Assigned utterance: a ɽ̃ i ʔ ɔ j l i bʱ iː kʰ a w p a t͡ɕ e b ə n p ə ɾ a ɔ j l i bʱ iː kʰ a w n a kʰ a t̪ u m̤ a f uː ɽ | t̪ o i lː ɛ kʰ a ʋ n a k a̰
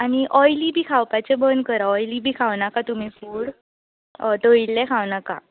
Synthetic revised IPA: a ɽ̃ i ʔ ɔ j l i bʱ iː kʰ a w p a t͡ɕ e b ə n k ə ɾ a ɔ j l i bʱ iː kʰ a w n a k a t̪ u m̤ i f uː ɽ | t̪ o i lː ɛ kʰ a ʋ n a k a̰